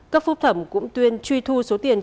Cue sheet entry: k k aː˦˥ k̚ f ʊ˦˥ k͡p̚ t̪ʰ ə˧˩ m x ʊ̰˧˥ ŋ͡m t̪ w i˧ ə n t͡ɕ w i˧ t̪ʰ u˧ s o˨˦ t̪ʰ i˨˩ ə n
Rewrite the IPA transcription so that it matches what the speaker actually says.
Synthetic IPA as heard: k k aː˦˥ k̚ f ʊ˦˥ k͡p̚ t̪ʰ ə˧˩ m k ʊ̰˧˥ ŋ͡m t̪ w i˧ ə n t͡ɕ w i˧ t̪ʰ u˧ s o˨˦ t̪ i˨˩ ə n